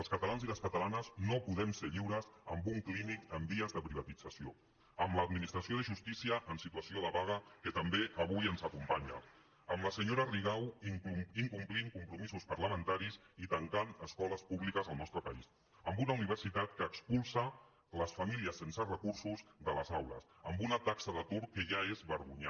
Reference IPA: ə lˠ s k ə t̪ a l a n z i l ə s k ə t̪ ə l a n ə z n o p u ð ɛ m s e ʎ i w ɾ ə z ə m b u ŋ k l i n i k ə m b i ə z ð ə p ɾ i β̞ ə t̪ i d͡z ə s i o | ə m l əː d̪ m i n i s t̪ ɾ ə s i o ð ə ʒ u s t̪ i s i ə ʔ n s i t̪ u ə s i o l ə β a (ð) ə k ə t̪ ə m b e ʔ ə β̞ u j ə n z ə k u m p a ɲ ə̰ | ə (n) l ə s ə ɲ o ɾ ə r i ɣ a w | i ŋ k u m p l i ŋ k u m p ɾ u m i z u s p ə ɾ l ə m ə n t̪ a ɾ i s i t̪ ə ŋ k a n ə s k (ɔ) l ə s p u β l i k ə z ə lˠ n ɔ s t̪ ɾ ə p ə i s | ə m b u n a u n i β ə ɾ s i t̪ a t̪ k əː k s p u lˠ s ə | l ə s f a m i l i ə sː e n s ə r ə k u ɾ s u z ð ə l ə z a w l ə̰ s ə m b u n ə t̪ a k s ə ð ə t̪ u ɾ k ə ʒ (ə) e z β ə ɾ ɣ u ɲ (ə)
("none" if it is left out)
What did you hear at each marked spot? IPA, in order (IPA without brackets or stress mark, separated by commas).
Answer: ɣ, m, ɔ, a, a